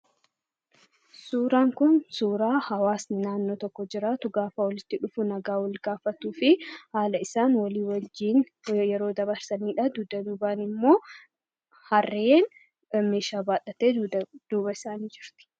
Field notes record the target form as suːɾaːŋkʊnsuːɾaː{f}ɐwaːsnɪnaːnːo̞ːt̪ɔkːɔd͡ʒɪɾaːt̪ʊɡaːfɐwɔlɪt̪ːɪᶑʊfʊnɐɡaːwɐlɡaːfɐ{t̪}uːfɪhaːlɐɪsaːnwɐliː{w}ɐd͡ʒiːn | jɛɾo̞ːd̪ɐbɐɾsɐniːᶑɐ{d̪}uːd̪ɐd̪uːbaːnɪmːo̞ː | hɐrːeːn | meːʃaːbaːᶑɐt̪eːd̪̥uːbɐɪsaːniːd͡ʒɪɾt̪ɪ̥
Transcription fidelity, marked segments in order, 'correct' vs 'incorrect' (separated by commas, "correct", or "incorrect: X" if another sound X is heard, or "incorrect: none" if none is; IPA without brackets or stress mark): incorrect: h, correct, correct, correct